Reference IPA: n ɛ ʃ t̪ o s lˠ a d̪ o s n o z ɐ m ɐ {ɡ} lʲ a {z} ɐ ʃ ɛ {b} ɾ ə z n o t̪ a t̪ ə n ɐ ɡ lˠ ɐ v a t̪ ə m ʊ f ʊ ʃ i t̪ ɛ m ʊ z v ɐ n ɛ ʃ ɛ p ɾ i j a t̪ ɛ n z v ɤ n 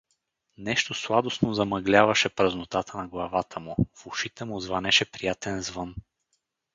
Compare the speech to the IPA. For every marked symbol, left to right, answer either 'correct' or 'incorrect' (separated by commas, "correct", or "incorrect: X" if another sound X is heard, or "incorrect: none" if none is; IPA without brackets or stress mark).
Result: correct, incorrect: v, incorrect: p